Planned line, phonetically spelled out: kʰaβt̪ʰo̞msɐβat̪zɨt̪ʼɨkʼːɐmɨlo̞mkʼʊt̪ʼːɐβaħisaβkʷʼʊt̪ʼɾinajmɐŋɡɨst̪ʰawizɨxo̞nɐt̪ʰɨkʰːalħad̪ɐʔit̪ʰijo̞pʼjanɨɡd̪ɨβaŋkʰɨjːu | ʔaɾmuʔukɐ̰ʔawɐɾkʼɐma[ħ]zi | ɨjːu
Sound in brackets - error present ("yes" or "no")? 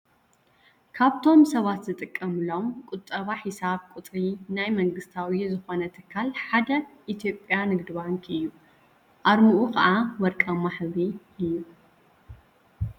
no